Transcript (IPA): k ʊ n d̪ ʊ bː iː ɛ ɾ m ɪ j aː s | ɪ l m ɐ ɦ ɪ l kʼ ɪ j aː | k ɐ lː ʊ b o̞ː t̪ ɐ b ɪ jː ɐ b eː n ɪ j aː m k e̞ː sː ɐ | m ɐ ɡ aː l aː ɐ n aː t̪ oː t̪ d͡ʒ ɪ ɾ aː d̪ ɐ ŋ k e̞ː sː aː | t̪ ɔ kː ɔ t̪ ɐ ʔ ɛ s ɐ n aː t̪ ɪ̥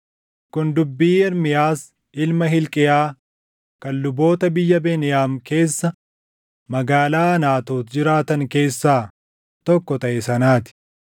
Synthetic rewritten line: k ʊ n d̪ ʊ bː iː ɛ ɾ m ɪ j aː s | ɪ l m ɐ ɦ ɪ l kʼ ɪ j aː | k ɐ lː ʊ b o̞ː t̪ ɐ b ɪ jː ɐ b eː n ɪ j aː m k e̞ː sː ɐ | m ɐ ɡ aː l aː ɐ n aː t̪ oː t̪ d͡ʒ ɪ ɾ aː t̪ ɐ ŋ k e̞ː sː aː | t̪ ɔ kː ɔ t̪ ɐ ʔ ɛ s ɐ n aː t̪ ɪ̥